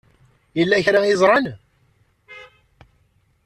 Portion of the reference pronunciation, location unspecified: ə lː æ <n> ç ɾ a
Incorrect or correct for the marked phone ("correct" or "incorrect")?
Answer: incorrect